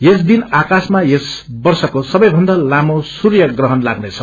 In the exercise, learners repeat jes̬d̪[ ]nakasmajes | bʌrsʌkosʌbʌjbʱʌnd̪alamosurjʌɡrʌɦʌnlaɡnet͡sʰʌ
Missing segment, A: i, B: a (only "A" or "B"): A